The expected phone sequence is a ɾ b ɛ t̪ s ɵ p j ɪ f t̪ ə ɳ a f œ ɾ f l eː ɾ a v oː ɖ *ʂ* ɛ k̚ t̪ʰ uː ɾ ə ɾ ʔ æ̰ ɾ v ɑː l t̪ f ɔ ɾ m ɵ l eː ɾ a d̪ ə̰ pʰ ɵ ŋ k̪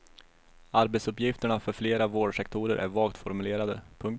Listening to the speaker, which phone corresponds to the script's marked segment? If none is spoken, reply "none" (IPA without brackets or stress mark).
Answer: ʂ